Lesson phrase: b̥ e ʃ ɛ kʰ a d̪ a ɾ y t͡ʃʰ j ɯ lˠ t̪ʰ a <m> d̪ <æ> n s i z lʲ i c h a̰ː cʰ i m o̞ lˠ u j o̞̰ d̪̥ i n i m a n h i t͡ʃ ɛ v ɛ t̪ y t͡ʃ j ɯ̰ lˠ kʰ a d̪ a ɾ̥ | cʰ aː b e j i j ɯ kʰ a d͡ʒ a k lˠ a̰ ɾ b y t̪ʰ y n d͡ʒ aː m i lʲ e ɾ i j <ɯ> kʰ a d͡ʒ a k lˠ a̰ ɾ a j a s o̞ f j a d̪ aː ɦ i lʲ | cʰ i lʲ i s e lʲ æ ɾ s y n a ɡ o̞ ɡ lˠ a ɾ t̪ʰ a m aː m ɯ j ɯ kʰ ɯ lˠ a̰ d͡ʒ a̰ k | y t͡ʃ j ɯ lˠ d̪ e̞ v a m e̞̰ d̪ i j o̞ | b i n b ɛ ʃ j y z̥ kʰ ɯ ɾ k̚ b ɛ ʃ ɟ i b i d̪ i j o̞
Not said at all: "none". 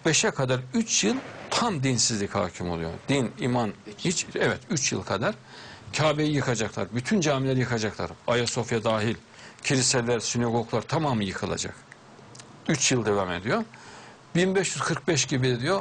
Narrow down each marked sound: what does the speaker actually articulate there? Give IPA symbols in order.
m, i, ɯ

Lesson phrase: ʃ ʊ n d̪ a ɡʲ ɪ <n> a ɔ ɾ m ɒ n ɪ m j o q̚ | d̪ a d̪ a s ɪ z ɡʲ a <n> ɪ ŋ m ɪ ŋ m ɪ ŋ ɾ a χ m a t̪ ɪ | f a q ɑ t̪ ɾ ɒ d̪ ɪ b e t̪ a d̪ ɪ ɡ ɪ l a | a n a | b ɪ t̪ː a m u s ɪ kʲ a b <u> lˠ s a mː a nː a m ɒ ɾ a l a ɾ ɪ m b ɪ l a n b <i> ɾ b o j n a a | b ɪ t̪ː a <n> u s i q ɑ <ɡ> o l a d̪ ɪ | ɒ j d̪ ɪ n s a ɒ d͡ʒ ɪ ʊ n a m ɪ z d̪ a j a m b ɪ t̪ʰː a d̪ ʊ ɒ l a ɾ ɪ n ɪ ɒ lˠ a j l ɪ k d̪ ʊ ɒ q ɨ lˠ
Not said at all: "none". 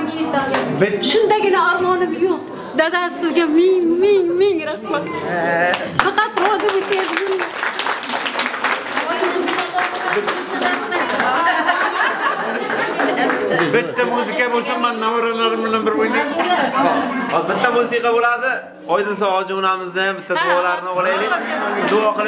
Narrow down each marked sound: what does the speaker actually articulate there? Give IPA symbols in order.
n, m, o, ɪ, m, b

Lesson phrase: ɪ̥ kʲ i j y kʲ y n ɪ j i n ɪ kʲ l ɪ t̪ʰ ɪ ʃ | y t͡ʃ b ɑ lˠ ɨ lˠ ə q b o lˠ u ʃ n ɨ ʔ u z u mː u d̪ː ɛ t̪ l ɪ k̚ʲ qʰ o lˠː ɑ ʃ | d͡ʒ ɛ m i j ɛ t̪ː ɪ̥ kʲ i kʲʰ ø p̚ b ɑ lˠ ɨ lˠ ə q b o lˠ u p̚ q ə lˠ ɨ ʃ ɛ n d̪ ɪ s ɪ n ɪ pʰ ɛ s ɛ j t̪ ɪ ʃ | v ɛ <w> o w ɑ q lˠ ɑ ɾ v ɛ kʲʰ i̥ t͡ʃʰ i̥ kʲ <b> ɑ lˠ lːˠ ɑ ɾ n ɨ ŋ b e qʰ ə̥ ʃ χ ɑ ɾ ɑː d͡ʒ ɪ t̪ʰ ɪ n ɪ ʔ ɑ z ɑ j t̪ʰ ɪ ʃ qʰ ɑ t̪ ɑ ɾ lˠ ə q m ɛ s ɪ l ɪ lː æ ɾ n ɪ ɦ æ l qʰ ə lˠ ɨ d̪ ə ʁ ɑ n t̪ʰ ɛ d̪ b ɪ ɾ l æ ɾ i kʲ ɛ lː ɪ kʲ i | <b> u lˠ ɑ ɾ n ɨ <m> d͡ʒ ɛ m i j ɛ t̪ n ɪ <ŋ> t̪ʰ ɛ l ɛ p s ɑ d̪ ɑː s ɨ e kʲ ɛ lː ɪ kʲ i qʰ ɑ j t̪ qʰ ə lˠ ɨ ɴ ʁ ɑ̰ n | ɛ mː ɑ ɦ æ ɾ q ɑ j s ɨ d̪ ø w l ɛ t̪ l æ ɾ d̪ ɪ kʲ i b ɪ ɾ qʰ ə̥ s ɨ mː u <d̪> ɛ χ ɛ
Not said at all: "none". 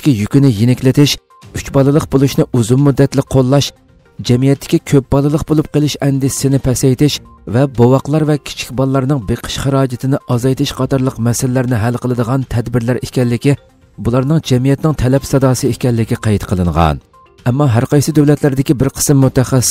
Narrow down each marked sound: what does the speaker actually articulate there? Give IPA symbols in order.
b, b, b, ŋ, ŋ, t̪

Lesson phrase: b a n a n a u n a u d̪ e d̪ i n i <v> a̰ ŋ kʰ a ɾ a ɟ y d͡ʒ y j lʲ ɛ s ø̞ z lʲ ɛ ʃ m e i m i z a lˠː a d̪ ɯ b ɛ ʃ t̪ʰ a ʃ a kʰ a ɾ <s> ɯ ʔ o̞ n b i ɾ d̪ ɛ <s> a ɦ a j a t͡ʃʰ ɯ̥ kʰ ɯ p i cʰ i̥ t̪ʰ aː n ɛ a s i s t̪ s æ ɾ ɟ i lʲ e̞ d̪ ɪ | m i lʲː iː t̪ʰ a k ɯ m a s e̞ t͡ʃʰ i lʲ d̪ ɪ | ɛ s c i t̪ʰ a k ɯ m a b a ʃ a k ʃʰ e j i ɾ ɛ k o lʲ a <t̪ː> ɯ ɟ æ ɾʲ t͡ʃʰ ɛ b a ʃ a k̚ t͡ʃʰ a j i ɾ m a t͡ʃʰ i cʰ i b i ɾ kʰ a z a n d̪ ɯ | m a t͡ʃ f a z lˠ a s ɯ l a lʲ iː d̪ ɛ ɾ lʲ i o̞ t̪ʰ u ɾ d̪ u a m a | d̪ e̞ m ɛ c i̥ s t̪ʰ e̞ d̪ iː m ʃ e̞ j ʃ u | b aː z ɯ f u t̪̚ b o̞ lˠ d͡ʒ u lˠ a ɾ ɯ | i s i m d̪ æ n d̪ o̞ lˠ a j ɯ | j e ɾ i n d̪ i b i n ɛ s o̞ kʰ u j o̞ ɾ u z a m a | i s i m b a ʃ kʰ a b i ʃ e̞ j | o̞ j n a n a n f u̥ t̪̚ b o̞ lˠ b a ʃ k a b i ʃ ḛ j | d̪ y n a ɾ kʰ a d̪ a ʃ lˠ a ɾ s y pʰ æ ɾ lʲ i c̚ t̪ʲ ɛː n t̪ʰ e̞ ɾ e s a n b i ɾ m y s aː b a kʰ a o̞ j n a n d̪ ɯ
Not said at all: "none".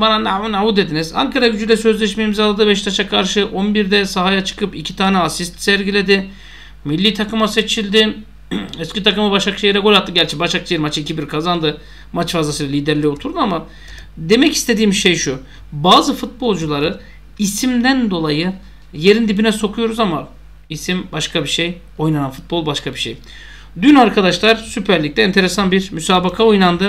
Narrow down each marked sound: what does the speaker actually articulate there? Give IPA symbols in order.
z, ʃ, s, t̪ː

